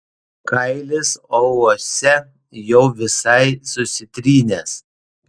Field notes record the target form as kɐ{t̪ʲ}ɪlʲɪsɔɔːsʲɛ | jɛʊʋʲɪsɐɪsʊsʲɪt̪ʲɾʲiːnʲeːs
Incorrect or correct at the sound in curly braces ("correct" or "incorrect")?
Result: incorrect